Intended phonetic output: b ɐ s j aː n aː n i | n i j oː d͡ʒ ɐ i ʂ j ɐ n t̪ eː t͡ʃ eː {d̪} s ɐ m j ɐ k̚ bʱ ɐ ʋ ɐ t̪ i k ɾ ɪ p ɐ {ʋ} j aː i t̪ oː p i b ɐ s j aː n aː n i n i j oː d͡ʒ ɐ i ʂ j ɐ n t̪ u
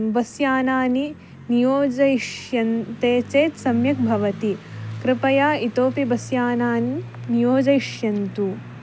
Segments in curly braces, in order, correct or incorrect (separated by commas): incorrect, incorrect